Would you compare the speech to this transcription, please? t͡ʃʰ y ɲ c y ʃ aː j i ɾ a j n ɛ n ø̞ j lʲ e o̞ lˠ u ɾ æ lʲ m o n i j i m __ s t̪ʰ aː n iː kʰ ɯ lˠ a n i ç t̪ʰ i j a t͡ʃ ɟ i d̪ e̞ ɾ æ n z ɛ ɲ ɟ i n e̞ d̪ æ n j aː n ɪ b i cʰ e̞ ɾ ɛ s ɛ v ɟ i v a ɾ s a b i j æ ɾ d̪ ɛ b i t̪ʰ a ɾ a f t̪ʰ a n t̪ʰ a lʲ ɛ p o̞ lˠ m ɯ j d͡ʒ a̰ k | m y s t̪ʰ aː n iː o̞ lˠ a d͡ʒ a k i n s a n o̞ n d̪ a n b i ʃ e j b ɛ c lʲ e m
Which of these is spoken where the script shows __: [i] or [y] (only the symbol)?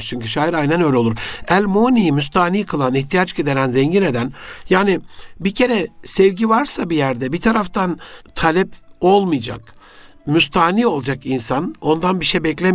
y